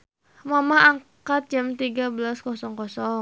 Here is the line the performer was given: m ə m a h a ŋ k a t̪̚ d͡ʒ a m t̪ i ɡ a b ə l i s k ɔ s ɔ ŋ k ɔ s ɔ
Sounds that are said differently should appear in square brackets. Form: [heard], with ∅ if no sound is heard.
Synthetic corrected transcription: m [a] m a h a ŋ k a t̪̚ d͡ʒ a m t̪ i ɡ a b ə l [a] s k ɔ s ɔ ŋ k ɔ s ɔ